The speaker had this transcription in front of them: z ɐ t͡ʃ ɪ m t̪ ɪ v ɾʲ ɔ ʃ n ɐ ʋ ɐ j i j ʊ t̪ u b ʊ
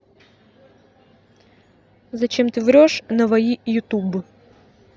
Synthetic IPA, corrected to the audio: z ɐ t͡ʃ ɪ m t̪ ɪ ʋ ɾʲ ɔ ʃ n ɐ ʋ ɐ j i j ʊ t̪ u b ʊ